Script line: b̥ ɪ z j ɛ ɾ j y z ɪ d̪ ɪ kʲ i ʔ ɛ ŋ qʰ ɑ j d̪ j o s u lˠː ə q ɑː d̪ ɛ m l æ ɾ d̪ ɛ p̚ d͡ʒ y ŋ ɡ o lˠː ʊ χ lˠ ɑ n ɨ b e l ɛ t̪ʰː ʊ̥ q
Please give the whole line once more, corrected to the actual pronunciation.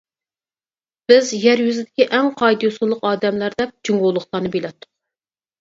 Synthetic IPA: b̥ ɪ z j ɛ ɾ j y z ɪ d̪ ɪ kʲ i ʔ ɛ ŋ qʰ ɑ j d̪ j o s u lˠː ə q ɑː d̪ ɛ m l æ ɾ d̪ ɛ p̚ d͡ʒ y ŋ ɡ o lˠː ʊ χ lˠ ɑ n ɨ b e l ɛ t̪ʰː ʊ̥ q

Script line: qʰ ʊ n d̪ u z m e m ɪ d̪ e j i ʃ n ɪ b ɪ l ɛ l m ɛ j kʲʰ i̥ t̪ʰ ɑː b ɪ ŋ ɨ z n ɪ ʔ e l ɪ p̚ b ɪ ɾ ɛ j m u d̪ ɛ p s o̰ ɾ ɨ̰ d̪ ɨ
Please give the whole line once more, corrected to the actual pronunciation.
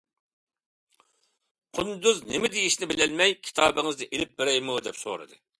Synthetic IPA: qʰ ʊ n d̪ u z n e m ɪ d̪ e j i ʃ n ɪ b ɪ l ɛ l m ɛ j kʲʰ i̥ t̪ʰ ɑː b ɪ ŋ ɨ z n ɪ ʔ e l ɪ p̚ b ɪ ɾ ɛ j m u d̪ ɛ p s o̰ ɾ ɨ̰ d̪ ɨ

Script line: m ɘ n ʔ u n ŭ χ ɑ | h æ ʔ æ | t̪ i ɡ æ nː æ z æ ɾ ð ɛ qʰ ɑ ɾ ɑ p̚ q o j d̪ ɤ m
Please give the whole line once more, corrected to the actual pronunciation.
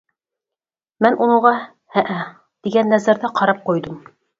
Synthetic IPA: m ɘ n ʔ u n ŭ ʁ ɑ | h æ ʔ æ | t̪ i ɡ æ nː æ z æ ɾ ð æ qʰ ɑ ɾ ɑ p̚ q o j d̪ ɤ m

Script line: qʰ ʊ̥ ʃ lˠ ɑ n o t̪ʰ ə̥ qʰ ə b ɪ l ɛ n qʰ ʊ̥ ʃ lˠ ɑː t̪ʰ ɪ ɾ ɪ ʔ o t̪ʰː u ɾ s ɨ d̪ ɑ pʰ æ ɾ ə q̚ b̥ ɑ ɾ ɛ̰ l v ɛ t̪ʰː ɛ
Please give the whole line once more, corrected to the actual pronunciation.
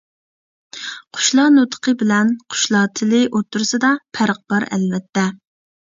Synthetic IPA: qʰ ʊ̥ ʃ lˠ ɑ n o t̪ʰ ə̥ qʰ ə b ɪ l ɛ n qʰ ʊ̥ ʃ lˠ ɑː t̪ʰ ɪ l ɪ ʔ o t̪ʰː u ɾ s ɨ d̪ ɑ pʰ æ ɾ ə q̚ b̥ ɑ ɾ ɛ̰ l v ɛ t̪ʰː ɛ

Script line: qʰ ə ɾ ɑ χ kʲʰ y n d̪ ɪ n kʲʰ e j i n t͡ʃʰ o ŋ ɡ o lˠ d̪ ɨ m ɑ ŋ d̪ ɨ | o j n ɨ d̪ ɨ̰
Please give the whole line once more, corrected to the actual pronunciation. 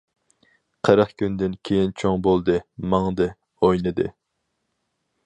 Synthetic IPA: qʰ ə ɾ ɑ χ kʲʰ y n d̪ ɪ n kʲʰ e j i n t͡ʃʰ o ŋ b o lˠ d̪ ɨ m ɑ ŋ d̪ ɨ | o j n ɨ d̪ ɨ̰

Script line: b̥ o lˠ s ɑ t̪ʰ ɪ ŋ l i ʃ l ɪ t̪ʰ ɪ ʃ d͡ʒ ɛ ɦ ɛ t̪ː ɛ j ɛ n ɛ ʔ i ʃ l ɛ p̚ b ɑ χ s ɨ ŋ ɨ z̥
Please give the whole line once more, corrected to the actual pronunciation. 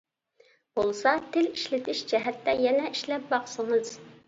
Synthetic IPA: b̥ o lˠ s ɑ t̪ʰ ɪ l i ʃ l ɪ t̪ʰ ɪ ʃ d͡ʒ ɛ ɦ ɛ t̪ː ɛ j ɛ n ɛ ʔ i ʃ l ɛ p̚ b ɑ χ s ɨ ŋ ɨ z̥

